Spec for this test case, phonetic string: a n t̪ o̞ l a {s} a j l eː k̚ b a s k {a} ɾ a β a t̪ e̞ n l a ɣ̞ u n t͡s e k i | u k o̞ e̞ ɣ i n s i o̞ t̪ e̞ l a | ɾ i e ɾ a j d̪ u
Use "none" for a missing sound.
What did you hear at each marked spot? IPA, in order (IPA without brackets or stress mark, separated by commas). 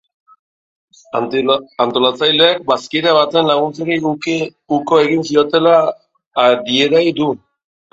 t͡s, i